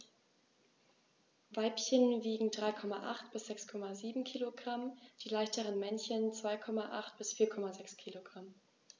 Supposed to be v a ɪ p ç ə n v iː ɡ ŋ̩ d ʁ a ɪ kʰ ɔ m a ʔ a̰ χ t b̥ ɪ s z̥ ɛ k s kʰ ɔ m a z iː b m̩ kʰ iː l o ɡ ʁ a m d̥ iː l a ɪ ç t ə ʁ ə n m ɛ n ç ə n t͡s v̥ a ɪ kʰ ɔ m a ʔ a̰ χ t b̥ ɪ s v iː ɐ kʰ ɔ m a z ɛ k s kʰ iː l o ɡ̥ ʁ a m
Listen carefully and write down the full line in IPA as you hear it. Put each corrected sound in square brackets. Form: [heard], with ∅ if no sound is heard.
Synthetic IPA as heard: v a ɪ p ç ə n v iː ɡ ŋ̩ d ʁ a ɪ kʰ ɔ m a ʔ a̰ χ t b̥ ɪ s z̥ ɛ k s kʰ ɔ m a z iː b m̩ kʰ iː l o ɡ ʁ a m d̥ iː l a ɪ ç t ə ʁ ə n m ɛ n ç ə n t͡s v̥ a ɪ kʰ ɔ m a ʔ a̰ χ t b̥ ɪ s [f] iː ɐ kʰ ɔ m a z ɛ k s kʰ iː l o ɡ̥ ʁ a m